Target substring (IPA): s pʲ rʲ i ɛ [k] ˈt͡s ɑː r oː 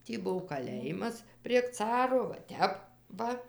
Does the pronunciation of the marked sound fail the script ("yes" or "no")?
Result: no